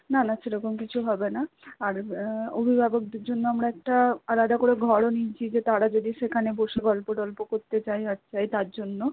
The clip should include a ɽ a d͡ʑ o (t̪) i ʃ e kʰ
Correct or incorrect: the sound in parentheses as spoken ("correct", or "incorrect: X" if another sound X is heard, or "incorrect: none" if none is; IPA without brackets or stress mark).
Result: incorrect: d̪